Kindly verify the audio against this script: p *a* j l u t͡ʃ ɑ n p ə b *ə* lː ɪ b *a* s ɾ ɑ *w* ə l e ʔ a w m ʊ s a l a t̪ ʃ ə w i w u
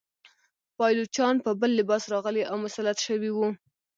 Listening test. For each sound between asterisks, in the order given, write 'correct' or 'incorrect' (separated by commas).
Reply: incorrect, correct, incorrect, incorrect